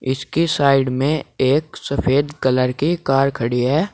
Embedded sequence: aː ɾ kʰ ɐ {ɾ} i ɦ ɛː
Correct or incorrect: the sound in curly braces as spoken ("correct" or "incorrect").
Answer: incorrect